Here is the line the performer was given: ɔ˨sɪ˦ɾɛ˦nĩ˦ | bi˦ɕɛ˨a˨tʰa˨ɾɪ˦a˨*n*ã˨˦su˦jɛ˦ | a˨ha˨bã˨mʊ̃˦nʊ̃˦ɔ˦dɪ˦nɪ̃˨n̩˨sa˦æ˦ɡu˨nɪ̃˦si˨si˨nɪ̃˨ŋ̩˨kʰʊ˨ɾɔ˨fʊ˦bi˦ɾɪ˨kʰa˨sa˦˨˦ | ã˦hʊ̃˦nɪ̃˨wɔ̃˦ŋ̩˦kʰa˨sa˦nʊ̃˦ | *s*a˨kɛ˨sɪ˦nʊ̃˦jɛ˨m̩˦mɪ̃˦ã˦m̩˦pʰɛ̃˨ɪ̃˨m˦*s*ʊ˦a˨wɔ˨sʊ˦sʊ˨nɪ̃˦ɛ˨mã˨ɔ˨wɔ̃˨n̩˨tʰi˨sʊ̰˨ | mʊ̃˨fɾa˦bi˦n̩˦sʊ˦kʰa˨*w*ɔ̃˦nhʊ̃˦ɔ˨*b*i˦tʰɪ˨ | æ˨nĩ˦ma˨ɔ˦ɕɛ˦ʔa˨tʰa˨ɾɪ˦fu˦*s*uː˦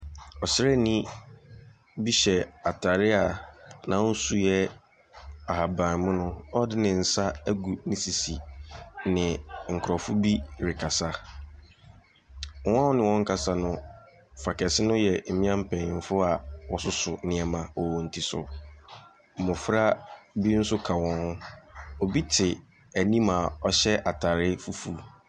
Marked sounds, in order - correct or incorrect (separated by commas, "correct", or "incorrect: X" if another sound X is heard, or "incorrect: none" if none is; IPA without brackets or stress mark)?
correct, incorrect: f, incorrect: f, correct, correct, incorrect: f